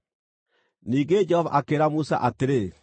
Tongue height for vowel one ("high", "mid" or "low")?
high